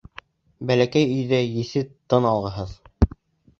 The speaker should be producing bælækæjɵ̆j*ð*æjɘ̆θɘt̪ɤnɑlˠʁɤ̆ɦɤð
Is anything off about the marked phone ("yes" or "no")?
no